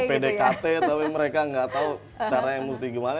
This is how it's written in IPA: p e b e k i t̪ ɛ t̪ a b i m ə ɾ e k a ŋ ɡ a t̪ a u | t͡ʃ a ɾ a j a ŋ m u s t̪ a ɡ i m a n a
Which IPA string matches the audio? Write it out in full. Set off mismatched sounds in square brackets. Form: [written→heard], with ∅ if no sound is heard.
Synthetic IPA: p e [b→d] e k [i→a] t̪ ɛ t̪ a [b→p] i m ə ɾ e k a ŋ ɡ a t̪ a u | t͡ʃ a ɾ a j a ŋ m u s t̪ [a→i] ɡ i m a n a